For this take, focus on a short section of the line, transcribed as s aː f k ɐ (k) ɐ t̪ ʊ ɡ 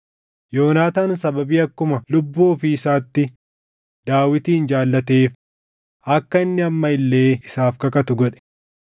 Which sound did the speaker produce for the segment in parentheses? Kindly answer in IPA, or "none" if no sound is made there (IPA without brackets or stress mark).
k